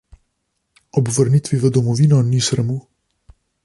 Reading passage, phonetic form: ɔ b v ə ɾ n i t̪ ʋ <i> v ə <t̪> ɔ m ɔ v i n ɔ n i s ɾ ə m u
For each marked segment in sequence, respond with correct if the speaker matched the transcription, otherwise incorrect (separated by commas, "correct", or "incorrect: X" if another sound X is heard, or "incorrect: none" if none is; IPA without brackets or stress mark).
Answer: correct, incorrect: d̪